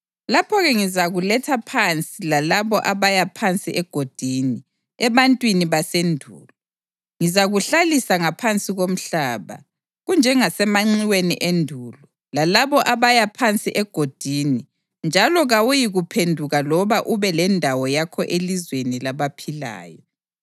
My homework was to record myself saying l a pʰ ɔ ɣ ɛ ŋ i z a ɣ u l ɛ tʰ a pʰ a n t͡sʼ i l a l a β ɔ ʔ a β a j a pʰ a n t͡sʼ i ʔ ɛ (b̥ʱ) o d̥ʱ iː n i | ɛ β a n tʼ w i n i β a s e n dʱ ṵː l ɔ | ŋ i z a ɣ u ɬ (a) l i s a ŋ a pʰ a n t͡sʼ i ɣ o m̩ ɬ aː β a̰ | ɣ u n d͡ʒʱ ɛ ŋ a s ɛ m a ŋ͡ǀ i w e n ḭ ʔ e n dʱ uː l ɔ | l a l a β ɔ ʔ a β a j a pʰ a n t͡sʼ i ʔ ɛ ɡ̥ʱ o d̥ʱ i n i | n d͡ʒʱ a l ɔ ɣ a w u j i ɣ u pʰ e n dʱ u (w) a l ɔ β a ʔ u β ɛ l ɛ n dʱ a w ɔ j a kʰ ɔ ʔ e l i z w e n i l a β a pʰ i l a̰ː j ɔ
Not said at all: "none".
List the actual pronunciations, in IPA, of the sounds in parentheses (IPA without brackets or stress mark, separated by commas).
ɡ̥ʱ, a, ɣ